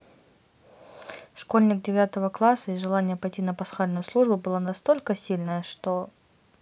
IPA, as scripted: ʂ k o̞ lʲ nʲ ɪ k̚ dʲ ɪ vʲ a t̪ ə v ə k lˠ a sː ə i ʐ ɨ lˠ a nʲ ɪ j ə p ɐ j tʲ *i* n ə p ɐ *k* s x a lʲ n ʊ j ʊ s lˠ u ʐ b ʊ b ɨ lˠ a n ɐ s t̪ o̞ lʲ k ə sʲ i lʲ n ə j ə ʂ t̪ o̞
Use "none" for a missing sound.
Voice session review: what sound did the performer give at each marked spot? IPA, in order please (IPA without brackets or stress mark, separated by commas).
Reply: i, none